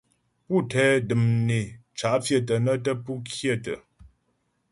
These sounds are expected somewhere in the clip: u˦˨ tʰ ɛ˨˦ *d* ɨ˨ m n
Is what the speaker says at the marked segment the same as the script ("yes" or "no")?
yes